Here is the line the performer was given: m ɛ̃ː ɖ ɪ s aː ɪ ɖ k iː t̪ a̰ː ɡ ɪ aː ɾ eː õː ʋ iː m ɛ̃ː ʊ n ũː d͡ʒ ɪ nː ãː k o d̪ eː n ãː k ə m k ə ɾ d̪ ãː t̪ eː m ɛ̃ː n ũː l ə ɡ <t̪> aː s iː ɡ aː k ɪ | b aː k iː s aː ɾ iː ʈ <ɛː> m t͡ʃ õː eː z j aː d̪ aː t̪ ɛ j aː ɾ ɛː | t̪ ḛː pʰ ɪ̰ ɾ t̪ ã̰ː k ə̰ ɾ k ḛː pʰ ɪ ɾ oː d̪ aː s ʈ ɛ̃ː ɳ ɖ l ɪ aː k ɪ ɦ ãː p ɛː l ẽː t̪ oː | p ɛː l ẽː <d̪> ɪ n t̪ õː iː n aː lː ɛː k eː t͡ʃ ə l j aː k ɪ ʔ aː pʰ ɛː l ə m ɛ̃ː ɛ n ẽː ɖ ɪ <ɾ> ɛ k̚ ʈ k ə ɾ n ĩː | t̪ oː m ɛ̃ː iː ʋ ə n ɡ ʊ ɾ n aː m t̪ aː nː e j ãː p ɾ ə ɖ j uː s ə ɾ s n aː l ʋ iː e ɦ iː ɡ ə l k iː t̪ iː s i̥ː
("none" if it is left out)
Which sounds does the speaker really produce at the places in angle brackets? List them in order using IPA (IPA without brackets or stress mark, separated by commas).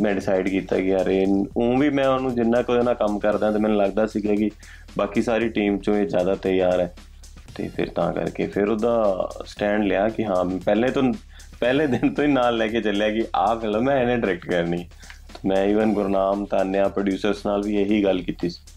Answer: d̪, iː, d̪, ɾ